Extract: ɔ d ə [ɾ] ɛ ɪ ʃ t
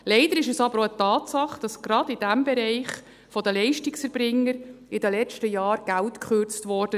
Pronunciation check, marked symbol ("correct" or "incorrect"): incorrect